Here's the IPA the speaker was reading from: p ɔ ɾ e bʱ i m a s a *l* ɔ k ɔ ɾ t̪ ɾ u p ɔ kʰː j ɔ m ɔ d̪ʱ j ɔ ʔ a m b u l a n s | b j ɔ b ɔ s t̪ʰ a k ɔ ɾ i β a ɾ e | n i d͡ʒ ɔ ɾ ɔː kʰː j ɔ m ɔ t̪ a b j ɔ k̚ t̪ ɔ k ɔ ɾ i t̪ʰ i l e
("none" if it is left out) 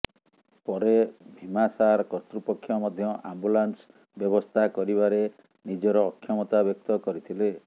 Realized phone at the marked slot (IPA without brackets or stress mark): ɾ